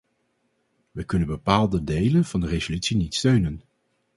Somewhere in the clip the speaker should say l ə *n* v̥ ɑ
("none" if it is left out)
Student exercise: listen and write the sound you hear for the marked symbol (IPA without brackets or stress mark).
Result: n